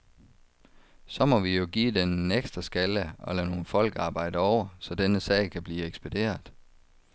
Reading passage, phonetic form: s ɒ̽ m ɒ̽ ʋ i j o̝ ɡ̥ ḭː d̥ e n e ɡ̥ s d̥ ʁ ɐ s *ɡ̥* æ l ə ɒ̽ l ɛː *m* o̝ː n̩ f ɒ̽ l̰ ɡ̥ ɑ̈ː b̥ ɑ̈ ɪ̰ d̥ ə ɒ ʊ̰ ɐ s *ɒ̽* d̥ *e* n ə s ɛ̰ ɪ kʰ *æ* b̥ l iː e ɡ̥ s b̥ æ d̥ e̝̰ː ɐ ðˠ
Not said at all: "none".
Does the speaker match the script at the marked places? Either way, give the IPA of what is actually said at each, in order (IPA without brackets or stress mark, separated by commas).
ɡ̥, n, ɒ̽, e, æ